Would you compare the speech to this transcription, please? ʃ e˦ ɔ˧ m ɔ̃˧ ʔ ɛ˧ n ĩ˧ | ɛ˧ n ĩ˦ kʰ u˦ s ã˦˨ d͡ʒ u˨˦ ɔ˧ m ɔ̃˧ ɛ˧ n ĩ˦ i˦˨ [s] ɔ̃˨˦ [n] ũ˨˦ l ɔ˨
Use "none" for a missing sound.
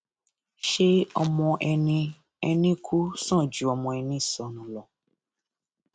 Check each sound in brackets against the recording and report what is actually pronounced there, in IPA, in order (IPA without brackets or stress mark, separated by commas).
s, n